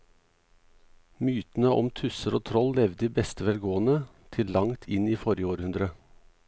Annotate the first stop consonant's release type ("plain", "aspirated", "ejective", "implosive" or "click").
plain